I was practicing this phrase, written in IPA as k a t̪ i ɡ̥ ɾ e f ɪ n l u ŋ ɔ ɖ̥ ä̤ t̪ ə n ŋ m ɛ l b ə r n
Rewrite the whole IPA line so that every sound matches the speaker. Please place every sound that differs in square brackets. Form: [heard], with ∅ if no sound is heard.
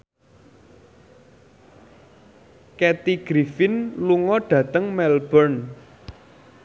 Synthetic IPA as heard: k [ɛ] t̪ i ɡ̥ ɾ [i] f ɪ n l u ŋ ɔ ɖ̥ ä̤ t̪ ə [∅] ŋ m ɛ l b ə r n